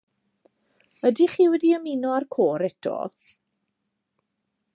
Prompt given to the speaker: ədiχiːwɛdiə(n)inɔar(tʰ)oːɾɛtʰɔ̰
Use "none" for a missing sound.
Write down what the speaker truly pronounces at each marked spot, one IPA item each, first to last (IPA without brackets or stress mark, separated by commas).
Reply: m, kʰ